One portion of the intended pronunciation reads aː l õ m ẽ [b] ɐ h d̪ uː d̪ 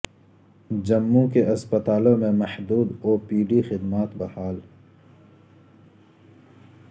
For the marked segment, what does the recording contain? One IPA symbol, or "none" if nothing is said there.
m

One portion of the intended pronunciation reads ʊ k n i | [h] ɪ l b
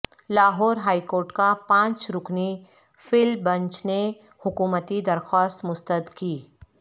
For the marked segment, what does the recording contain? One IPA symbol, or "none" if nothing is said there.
f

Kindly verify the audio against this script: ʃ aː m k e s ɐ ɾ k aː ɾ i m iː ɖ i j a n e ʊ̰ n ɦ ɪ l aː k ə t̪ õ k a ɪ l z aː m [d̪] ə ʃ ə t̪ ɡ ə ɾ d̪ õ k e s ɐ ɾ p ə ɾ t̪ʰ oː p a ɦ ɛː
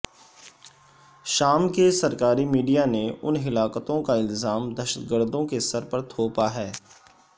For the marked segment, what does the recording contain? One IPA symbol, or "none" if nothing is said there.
d̪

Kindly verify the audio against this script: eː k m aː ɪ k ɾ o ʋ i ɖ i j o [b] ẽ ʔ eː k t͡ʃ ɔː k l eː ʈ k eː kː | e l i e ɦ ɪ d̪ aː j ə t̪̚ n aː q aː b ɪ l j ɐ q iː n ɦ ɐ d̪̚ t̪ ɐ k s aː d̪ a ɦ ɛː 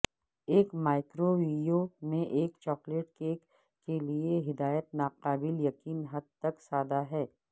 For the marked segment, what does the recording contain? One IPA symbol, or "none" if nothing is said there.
m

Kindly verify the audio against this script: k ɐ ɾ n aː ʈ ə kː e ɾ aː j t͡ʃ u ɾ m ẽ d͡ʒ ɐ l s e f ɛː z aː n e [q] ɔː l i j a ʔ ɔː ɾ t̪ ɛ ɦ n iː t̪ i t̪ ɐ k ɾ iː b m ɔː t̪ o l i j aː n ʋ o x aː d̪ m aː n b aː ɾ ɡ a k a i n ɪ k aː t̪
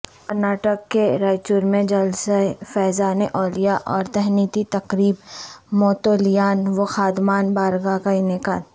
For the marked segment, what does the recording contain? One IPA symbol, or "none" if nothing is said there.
ʔ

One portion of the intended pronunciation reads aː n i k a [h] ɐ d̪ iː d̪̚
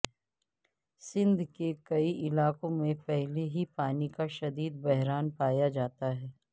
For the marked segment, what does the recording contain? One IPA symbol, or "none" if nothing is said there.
ʃ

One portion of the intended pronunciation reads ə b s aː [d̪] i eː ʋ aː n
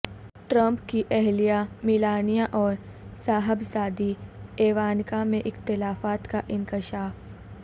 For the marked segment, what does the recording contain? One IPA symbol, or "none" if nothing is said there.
d̪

